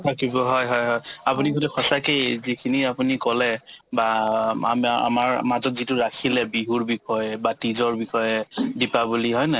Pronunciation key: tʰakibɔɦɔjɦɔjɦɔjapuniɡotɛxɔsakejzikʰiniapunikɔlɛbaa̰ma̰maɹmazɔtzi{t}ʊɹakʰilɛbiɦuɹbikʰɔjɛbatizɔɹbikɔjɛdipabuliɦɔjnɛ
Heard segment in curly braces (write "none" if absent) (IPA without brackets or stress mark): t